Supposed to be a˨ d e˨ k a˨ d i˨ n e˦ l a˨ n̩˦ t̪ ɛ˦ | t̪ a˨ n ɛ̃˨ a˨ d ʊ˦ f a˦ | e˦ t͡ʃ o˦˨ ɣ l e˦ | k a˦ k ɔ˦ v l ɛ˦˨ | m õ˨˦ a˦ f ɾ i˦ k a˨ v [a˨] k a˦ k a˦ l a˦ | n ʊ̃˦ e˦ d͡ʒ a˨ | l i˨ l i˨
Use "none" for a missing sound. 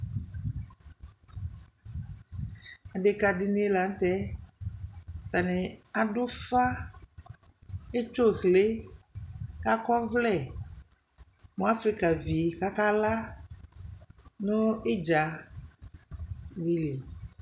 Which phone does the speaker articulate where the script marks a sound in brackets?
i˨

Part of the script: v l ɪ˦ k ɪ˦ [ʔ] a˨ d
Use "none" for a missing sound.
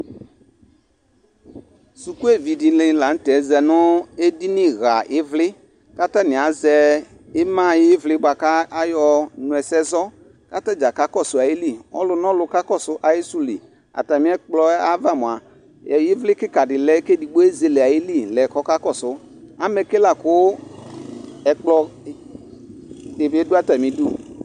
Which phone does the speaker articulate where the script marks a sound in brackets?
k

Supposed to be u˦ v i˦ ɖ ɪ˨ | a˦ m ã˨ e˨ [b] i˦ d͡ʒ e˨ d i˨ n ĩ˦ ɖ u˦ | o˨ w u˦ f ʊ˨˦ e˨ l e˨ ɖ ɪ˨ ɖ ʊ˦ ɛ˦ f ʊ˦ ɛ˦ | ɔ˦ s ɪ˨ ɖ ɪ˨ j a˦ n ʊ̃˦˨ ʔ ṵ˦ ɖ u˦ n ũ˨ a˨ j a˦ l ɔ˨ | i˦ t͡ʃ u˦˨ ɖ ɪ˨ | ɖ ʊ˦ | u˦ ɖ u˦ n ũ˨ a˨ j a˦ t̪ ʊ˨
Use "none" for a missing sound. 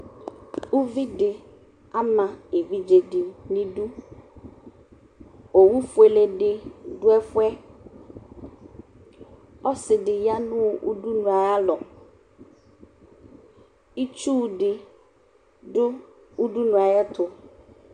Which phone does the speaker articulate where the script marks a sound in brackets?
v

